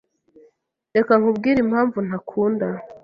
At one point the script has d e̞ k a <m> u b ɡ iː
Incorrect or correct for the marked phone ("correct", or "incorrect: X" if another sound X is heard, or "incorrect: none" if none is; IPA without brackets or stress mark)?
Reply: incorrect: ŋ